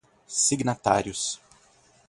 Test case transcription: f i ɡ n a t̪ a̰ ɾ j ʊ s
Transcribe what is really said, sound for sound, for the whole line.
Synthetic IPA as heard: s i ɡ n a t̪ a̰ ɾ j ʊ s